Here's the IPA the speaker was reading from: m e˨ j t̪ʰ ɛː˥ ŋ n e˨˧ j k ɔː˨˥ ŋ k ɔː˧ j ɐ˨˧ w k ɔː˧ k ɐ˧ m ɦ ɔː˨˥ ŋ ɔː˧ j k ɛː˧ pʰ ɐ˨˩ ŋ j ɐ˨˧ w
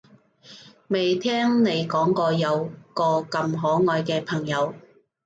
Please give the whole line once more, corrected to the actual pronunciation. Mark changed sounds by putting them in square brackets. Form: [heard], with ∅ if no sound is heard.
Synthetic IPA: m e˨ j t̪ʰ ɛː˥ ŋ n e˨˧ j k ɔː˨˥ ŋ k ɔː˧ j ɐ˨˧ w k ɔː˧ k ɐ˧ m ɦ ɔː˨˥ ŋ ɔː˧ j k ɛː˧ pʰ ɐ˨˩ ŋ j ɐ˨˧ w